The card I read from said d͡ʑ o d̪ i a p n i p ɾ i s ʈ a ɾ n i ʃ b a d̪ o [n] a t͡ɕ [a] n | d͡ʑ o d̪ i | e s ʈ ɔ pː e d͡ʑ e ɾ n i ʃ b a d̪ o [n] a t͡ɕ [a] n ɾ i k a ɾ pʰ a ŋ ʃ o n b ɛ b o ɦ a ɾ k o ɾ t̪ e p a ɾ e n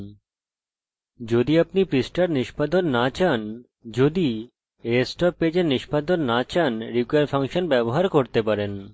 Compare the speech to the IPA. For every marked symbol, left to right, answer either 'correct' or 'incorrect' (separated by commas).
incorrect, correct, incorrect, correct